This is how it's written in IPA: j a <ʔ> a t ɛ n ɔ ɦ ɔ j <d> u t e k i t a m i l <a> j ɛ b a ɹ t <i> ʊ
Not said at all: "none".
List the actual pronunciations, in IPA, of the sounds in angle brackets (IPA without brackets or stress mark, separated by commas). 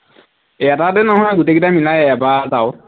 t, ɡ, a, a